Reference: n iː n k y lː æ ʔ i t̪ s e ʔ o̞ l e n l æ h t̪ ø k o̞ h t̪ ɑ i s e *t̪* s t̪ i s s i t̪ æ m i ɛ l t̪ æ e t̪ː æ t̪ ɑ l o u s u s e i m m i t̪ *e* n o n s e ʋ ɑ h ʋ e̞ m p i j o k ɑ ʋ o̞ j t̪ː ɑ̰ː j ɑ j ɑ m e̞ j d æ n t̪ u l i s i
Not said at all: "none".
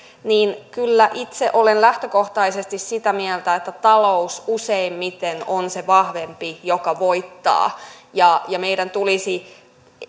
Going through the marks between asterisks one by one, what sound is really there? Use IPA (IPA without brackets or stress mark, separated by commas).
none, e